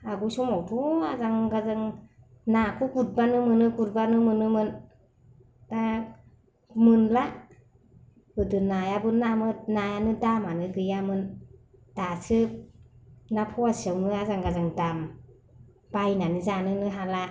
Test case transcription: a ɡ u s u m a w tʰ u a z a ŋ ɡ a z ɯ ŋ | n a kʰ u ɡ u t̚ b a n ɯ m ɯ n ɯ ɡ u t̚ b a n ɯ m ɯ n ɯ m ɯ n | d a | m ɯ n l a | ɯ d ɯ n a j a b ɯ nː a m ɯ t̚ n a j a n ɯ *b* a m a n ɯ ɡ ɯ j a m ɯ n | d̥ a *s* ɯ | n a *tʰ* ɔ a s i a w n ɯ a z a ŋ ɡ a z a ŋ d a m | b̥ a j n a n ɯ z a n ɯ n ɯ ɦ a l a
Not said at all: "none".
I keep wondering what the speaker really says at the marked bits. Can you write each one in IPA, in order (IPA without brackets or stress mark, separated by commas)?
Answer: d, s, pʰ